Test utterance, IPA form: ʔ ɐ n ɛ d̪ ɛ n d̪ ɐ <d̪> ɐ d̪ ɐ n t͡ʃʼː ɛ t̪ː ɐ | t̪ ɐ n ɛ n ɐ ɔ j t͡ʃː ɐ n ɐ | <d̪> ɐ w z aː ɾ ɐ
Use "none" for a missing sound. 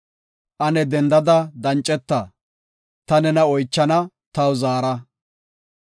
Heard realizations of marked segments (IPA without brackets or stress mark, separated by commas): d̪, t̪